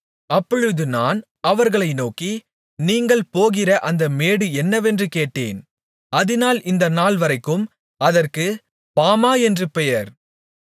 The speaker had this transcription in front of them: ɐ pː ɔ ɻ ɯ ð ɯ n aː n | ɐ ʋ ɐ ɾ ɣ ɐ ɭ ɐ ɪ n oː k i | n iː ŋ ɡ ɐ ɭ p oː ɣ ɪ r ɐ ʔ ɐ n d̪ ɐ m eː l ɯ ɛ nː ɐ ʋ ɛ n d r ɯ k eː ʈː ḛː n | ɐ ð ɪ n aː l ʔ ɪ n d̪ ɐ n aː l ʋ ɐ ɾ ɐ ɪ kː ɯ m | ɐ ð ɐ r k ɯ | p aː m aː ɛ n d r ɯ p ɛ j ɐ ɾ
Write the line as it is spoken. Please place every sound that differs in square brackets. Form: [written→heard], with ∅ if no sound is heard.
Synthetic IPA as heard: ɐ pː ɔ ɻ ɯ ð ɯ n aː n | ɐ ʋ ɐ ɾ ɣ ɐ ɭ ɐ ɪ n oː k i | n iː ŋ ɡ ɐ ɭ p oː ɣ ɪ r ɐ ʔ ɐ n d̪ ɐ m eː [l→ɽ] ɯ ɛ nː ɐ ʋ ɛ n d r ɯ k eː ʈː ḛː n | ɐ ð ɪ n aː l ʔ ɪ n d̪ ɐ n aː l ʋ ɐ ɾ ɐ ɪ kː ɯ m | ɐ ð ɐ r k ɯ | p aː m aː ɛ n d r ɯ p ɛ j ɐ ɾ